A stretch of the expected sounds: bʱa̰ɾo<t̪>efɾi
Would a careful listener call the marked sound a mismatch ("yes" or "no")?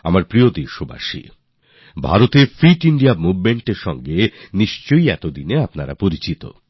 no